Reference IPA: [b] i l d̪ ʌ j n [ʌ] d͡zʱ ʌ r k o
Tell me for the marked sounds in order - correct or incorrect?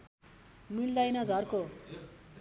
incorrect, correct

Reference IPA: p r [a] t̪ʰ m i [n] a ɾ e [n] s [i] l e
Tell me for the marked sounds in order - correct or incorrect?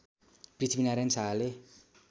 incorrect, correct, correct, incorrect

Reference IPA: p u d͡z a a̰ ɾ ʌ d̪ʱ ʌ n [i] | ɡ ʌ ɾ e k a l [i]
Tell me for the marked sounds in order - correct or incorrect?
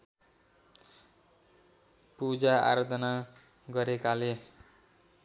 incorrect, incorrect

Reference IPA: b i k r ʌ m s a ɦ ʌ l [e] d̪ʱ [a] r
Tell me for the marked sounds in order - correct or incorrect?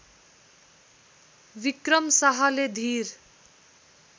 correct, incorrect

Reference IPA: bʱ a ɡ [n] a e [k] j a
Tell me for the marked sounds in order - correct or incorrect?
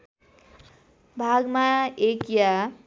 incorrect, correct

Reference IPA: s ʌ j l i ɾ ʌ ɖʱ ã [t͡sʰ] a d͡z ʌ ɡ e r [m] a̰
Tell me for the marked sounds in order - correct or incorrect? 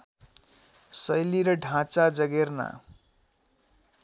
incorrect, incorrect

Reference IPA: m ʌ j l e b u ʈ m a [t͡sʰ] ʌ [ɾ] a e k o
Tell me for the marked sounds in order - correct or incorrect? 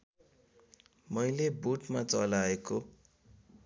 incorrect, incorrect

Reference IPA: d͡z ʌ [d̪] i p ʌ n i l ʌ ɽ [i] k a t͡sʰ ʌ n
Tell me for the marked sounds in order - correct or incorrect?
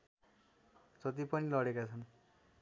incorrect, incorrect

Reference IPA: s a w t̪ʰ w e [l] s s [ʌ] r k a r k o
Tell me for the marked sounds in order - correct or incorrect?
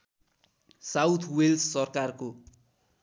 correct, correct

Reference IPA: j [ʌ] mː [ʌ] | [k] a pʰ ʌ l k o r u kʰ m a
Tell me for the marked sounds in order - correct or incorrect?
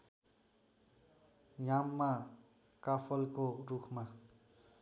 incorrect, incorrect, correct

